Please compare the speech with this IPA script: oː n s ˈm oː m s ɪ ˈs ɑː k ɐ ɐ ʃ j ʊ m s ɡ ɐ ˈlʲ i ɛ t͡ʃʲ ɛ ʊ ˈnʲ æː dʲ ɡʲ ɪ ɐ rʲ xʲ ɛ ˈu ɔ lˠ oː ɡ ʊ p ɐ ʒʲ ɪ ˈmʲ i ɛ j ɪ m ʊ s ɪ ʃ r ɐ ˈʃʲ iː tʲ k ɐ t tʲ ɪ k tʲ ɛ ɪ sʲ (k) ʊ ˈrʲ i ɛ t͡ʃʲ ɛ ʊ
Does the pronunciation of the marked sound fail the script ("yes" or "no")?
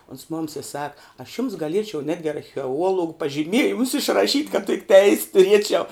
yes